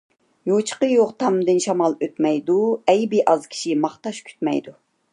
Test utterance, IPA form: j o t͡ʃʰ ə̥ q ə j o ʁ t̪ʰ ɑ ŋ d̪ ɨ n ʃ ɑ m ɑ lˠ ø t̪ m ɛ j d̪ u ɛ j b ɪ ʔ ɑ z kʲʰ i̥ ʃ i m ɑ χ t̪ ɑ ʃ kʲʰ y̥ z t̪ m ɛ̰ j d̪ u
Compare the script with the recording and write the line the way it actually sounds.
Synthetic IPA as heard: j o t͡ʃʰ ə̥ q ə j o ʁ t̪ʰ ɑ m d̪ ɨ n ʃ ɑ m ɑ lˠ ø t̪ m ɛ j d̪ u ɛ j b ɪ ʔ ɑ z kʲʰ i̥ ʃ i m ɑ χ t̪ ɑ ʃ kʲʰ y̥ t̪ m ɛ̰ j d̪ u